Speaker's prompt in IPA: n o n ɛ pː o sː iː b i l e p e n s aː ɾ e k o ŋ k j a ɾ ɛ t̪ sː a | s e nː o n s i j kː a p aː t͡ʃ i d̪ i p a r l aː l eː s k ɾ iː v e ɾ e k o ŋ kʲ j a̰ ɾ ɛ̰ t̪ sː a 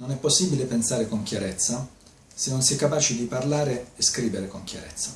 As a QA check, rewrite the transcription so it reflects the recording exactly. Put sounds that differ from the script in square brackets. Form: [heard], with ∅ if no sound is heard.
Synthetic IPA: n o n ɛ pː o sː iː b i l e p e n s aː ɾ e k o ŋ k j a ɾ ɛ t̪ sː a | s e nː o n s [ɛ] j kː a p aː t͡ʃ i d̪ i p a r l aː [ɾ] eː s k ɾ iː v e ɾ e k o ŋ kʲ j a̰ ɾ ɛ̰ t̪ sː a